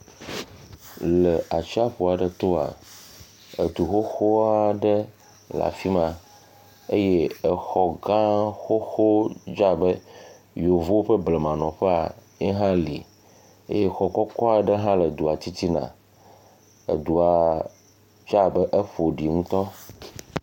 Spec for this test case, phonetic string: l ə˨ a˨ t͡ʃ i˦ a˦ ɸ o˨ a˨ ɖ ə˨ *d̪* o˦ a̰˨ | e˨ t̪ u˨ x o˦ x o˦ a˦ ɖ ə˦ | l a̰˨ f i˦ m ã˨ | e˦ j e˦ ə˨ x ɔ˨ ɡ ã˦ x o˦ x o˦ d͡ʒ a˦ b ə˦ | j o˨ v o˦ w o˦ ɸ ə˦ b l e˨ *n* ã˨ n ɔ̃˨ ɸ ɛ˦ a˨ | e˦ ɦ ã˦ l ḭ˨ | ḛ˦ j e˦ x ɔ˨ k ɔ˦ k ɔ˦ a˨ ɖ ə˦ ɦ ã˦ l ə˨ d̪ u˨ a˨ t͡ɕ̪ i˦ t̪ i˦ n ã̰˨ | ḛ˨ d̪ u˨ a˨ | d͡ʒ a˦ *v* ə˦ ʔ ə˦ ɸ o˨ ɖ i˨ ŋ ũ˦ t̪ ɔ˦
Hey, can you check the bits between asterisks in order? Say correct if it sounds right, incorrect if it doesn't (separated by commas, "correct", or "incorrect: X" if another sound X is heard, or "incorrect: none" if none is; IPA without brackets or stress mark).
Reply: incorrect: t̪, incorrect: m, incorrect: b